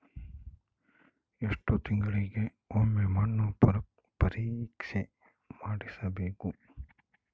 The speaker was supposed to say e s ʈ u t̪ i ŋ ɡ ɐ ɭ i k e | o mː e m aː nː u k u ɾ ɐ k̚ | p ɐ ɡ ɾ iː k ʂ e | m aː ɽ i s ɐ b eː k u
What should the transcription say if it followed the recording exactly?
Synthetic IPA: e ʂ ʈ u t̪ i ŋ ɡ ɐ ɭ i ɡ e | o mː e m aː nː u p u ɾ ɐ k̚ | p ɐ ɾ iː k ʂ e | m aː ɽ i s ɐ b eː k u

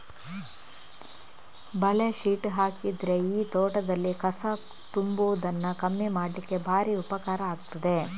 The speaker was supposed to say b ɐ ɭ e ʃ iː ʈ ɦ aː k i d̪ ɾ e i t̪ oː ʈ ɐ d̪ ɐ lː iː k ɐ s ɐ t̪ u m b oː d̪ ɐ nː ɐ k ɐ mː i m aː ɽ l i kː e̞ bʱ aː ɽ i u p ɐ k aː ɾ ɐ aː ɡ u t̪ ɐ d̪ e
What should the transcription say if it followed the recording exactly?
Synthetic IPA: b ɐ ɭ e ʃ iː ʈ ɦ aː k i d̪ ɾ e iː t̪ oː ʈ ɐ d̪ ɐ lː i k ɐ s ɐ t̪ u m b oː d̪ ɐ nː ɐ k ɐ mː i m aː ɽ l i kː e̞ bʱ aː ɾ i u p ɐ k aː ɾ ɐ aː ɡ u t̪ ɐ d̪ e

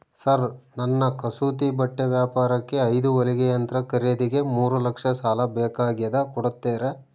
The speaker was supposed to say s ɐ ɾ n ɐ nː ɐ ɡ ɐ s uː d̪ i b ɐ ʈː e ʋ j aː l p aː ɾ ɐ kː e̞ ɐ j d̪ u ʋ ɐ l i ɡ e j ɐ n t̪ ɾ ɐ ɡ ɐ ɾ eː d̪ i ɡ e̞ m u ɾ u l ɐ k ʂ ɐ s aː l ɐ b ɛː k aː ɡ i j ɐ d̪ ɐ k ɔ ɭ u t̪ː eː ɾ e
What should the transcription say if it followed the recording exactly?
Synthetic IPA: s ɐ ɾ n ɐ nː ɐ k ɐ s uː t̪ i b ɐ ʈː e ʋ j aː p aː ɾ ɐ kː e̞ ɐ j d̪ u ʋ ɐ l i ɡ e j ɐ n t̪ ɾ ɐ k ɐ ɾ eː d̪ i ɡ e̞ m uː ɾ u l ɐ k ʂ ɐ s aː l ɐ b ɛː k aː ɡ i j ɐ d̪ ɐ k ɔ ɽ u t̪ː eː ɾ e

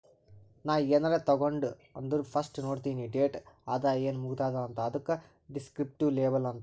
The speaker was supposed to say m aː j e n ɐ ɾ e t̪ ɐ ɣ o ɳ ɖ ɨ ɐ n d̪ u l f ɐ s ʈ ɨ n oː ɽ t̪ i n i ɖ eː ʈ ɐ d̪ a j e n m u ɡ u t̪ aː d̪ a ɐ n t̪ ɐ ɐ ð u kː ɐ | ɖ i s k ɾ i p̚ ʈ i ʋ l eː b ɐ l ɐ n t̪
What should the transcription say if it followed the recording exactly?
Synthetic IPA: n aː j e n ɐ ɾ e t̪ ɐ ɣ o ɳ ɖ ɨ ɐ n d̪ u ɾ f ɐ s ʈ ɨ n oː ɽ t̪ i n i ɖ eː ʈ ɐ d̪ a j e n m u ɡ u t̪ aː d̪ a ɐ n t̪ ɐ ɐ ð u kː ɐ | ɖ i s k ɾ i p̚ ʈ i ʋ l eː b ɐ l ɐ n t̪

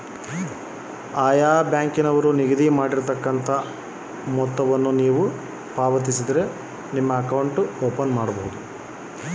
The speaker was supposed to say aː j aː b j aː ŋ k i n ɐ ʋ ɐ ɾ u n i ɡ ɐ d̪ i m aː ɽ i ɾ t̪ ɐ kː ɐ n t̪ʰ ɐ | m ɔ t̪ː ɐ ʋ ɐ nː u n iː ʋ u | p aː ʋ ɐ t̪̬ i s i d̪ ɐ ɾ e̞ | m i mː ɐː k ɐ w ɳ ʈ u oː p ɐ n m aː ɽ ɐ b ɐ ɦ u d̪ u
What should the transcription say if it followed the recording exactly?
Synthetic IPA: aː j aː b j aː ŋ k i n ɐ ʋ ɐ ɾ u n i ɡ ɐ d̪ i m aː ɽ i ɾ t̪ ɐ kː ɐ n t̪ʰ ɐ | m ɔ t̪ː ɐ ʋ ɐ nː u n iː ʋ u | p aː ʋ ɐ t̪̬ i s i d̪ ɐ ɾ e̞ | n i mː ɐː k ɐ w ɳ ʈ u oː p ɐ n m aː ɽ ɐ b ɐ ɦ u d̪ u

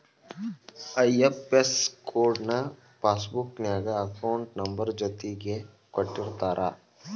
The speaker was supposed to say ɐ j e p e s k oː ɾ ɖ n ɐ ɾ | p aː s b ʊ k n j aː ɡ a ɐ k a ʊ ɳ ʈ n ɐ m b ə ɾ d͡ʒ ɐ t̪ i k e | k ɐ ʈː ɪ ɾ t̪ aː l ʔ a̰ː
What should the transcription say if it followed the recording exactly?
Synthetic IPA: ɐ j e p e s k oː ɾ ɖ n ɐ | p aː s b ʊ k n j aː ɡ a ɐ k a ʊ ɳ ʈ n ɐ m b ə ɾ d͡ʒ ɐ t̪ i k e | k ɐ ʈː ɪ ɾ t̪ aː ɾ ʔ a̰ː

